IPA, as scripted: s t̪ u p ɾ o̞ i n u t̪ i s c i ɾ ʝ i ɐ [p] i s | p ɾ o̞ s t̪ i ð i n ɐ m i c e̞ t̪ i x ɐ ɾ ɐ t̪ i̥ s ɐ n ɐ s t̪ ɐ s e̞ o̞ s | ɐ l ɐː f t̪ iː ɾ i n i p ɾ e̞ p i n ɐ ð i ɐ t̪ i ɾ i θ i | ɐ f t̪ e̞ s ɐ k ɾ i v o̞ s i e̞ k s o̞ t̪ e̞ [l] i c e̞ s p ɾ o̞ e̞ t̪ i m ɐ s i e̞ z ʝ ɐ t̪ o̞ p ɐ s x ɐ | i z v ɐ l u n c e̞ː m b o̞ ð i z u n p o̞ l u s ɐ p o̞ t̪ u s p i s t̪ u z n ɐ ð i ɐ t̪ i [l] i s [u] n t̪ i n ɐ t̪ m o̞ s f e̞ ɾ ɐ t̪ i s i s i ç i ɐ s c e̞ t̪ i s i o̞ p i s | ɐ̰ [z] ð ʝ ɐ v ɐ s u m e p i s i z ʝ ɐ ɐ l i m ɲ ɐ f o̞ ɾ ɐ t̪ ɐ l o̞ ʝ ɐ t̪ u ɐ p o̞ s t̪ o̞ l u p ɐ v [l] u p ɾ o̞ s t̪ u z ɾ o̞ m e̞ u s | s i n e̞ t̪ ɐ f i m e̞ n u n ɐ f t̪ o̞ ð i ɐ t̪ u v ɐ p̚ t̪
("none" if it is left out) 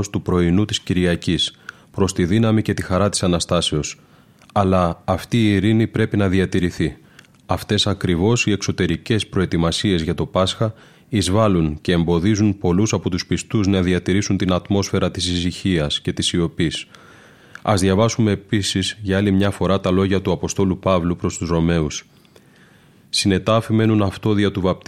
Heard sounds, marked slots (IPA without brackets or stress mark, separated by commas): c, ɾ, ɾ, u, z, l